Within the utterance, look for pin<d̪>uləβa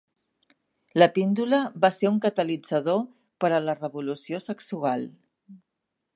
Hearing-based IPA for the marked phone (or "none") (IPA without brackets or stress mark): d̪